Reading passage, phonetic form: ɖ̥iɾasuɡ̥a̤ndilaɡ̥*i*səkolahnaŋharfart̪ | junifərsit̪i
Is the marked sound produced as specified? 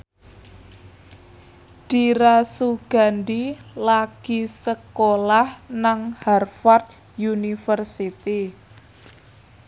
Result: yes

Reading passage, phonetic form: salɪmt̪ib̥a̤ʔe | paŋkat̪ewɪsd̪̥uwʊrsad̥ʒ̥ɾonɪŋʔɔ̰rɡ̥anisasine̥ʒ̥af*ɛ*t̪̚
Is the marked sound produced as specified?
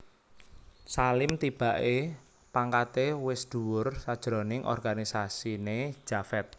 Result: yes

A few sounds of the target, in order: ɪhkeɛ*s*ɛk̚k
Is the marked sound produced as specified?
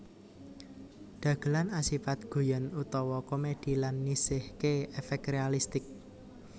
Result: no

